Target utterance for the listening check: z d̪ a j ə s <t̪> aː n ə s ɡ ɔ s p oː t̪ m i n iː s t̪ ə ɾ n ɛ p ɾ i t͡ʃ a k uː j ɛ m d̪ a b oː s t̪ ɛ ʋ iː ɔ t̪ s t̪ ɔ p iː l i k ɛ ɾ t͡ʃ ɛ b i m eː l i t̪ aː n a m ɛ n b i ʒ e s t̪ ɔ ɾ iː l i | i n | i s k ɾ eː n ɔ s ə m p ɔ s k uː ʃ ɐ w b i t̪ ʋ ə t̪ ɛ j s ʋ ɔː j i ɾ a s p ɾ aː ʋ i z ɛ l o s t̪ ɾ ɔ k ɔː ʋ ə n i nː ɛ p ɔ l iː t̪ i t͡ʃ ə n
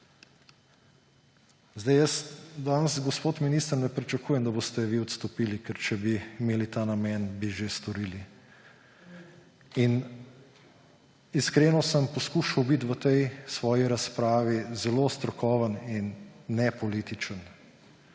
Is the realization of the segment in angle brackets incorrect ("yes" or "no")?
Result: yes